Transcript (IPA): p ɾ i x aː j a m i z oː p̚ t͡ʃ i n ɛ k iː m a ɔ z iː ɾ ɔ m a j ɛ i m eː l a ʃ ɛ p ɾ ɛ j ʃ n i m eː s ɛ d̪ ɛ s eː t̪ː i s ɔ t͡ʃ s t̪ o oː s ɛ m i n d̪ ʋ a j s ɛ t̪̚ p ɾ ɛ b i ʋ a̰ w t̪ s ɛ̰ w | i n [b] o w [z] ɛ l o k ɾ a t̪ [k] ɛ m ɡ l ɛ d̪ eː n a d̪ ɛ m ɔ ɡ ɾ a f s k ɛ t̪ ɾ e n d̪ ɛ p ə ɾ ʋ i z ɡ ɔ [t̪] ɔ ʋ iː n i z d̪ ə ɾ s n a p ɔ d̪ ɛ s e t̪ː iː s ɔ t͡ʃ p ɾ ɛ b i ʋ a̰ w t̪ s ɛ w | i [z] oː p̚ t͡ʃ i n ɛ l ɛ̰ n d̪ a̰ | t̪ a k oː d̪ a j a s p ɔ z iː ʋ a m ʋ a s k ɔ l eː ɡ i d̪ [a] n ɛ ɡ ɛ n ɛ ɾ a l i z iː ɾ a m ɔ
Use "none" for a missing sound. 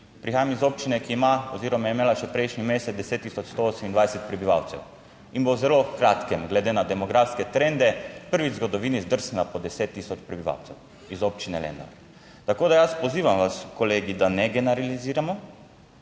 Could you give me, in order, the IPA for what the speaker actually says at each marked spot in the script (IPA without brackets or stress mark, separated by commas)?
b, z, k, d̪, z, a